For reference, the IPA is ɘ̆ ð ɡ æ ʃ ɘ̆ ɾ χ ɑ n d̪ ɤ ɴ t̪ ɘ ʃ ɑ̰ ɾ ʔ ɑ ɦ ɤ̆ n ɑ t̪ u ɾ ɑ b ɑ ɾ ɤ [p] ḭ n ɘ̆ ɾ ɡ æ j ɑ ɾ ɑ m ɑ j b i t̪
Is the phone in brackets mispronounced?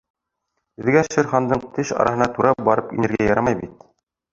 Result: no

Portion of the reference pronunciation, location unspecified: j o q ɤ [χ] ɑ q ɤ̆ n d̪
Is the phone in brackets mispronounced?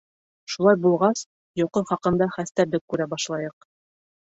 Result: no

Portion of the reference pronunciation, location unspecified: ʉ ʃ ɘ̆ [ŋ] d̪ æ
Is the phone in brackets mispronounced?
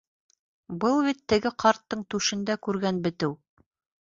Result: yes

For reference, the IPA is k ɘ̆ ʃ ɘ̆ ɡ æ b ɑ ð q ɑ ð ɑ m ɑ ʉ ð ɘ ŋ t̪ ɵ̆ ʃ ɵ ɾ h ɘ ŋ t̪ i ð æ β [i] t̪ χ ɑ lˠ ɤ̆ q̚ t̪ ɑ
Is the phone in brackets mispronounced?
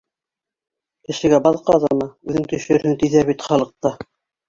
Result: no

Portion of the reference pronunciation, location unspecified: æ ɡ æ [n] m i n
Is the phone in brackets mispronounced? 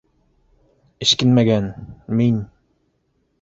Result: no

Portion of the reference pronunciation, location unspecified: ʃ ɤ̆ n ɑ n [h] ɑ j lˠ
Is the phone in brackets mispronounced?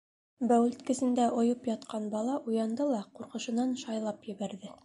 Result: yes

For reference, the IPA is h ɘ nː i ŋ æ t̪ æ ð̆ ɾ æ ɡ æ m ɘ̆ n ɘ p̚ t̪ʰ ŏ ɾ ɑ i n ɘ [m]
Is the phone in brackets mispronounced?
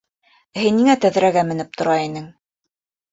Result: yes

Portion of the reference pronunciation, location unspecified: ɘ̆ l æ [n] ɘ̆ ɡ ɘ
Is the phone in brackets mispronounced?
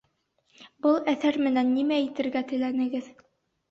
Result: no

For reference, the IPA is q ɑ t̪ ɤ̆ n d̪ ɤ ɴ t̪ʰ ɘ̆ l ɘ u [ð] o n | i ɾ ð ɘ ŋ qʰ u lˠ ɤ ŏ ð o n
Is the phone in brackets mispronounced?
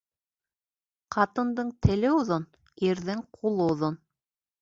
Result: no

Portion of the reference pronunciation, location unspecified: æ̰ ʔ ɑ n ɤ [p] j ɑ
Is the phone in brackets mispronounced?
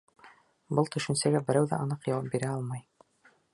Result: yes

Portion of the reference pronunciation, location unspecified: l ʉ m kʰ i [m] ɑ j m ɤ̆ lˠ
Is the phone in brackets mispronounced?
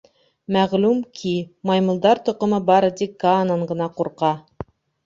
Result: no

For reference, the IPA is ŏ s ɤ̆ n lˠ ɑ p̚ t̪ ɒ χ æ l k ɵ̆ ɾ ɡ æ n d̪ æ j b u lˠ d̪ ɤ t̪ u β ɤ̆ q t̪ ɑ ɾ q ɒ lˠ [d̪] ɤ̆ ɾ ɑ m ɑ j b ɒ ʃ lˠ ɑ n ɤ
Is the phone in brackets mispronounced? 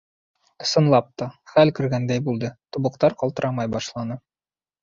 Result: yes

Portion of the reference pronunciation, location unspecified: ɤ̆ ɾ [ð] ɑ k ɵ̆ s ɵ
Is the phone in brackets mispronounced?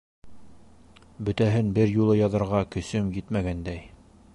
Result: yes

